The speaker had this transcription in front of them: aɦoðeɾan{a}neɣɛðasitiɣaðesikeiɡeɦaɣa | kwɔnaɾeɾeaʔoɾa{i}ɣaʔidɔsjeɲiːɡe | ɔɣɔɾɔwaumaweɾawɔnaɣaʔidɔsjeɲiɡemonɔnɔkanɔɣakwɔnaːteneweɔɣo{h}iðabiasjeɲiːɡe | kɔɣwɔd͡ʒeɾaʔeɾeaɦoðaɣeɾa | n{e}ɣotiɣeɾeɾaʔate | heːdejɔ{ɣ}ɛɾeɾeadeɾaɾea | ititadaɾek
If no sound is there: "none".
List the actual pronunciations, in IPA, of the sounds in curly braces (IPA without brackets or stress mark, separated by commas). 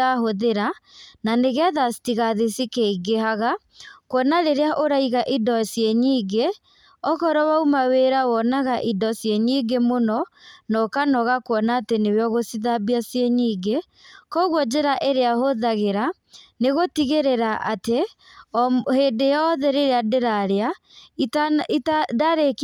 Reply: a, i, s, e, ð